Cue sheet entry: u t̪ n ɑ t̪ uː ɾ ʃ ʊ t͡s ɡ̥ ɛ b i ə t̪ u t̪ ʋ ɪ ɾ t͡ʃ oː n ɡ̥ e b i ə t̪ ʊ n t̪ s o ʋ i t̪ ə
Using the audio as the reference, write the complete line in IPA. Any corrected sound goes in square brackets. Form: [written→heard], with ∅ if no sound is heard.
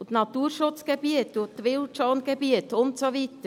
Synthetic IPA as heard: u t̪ n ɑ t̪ uː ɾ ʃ ʊ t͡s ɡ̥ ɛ b i ə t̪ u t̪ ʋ ɪ [ɾ→l] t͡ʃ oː n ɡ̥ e b i ə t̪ ʊ n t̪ s o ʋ i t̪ ə